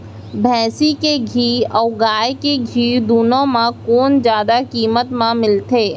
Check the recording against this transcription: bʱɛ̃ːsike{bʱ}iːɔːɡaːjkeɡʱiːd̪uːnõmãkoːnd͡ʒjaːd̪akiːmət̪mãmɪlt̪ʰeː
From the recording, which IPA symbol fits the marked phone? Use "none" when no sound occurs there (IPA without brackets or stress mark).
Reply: ɡʱ